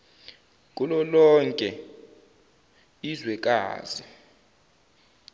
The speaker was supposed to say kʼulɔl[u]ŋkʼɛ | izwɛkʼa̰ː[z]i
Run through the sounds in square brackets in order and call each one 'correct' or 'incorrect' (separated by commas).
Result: incorrect, correct